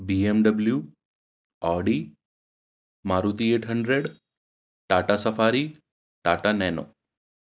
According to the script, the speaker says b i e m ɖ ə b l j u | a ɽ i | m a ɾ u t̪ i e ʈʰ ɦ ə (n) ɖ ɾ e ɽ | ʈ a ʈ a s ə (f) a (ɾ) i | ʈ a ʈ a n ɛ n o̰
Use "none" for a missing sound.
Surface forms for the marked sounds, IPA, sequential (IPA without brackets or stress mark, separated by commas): ɳ, f, ɾ